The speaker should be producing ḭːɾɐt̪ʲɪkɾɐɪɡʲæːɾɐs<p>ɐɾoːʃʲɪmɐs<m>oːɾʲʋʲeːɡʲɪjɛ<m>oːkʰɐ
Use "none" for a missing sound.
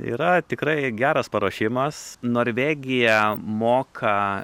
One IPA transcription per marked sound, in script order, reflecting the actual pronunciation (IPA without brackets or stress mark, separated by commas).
p, n, m